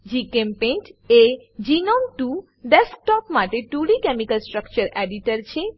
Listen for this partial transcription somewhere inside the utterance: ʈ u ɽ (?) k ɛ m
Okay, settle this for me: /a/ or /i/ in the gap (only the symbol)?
i